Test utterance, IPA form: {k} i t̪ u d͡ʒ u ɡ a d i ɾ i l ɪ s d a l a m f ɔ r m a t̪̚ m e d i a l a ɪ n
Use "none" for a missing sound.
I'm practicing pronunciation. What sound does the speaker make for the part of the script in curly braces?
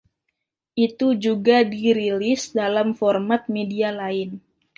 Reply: ʔ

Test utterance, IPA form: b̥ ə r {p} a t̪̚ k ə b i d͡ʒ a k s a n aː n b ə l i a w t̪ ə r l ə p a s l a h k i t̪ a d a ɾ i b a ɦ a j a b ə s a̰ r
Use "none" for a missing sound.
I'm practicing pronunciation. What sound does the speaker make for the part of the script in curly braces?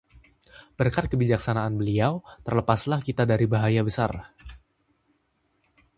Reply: k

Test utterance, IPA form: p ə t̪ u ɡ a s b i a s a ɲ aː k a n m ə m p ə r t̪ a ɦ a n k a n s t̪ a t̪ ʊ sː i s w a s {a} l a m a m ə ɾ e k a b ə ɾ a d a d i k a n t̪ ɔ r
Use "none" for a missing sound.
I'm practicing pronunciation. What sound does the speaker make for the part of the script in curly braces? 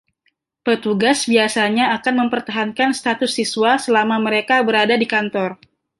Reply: ə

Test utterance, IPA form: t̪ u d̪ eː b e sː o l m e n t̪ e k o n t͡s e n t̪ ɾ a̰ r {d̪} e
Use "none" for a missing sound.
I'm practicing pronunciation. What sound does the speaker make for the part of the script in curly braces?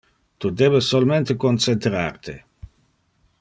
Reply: t̪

